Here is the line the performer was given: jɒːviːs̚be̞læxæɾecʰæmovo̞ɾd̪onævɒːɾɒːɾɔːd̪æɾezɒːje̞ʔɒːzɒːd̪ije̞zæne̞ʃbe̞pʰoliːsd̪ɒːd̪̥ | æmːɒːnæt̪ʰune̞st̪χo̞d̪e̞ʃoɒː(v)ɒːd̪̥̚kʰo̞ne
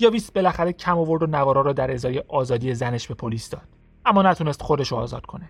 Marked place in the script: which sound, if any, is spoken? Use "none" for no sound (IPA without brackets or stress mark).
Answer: z